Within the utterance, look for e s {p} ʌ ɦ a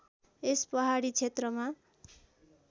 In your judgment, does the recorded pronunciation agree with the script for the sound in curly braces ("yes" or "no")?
yes